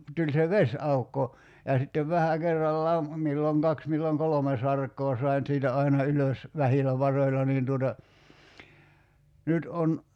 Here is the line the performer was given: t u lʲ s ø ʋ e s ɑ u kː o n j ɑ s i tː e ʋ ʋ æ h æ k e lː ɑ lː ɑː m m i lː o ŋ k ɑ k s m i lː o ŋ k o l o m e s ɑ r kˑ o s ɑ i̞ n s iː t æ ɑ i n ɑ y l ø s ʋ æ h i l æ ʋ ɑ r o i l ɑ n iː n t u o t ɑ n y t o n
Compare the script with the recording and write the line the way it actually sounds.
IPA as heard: t u lʲ s e ʋ e s ɑ u kː o j ɑ s i tː e ʋ ʋ æ h æ k e rː ɑ lː ɑː m m i lː o ŋ k ɑ k s m i lː o ŋ k o l o m e s ɑ r kˑ oː s ɑ i̞ n s iː t æ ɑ i n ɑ y l ø s ʋ æ h i l æ ʋ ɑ r o i l ɑ n iː n t u o t ɑ n y t o n